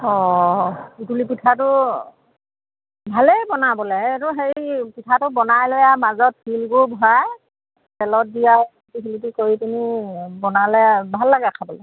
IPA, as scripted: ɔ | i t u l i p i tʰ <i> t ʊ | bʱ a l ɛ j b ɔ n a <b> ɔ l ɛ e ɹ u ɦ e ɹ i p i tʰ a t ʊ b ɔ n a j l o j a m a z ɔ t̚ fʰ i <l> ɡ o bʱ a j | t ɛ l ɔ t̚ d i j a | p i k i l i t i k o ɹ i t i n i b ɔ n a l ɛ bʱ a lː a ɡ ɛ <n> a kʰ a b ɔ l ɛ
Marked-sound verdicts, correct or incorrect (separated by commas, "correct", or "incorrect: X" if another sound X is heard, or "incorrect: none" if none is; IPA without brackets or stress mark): incorrect: a, correct, correct, incorrect: none